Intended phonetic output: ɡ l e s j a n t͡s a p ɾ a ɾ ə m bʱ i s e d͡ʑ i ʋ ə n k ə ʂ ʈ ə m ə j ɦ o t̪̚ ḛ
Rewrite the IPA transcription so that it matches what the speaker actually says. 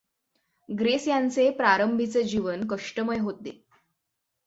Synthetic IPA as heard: ɡ ɾ e s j a n t͡s e p ɾ a ɾ ə m bʱ i t͡s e d͡ʑ i ʋ ə n k ə ʂ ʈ ə m ə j ɦ o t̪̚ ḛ